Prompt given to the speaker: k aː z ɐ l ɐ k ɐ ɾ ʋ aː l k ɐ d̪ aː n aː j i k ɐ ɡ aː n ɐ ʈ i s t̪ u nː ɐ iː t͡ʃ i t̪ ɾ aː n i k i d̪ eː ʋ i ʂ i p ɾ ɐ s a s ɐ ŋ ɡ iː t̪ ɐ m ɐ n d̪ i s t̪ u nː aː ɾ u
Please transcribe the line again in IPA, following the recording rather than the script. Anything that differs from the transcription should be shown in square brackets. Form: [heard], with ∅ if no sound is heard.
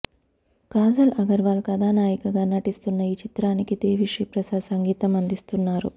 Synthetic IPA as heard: k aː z ɐ l ɐ [ɡ] ɐ ɾ ʋ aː l k ɐ d̪ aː n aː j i k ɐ ɡ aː n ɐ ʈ i s t̪ u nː ɐ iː t͡ʃ i t̪ ɾ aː n i k i d̪ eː ʋ i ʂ i p ɾ ɐ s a s ɐ ŋ ɡ iː t̪ ɐ m ɐ n d̪ i s t̪ u nː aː ɾ u